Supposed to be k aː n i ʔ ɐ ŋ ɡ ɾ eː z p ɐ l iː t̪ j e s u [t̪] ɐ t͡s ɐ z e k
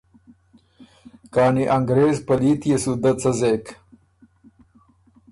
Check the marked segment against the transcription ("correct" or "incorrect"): incorrect